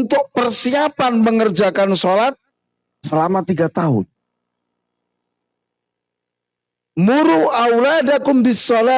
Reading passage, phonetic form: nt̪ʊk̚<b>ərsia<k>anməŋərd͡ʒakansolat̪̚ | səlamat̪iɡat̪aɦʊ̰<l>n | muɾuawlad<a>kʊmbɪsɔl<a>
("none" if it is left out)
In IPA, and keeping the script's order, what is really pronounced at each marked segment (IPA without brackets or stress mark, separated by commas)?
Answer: p, p, none, a, a